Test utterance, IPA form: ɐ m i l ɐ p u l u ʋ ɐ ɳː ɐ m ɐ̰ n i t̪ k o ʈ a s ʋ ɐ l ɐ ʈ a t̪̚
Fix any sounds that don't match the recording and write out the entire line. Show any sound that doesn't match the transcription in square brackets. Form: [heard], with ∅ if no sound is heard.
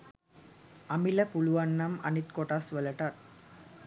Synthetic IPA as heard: ɐ m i l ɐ p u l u ʋ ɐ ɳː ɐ m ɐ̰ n i t̪ k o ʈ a s ʋ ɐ l ɐ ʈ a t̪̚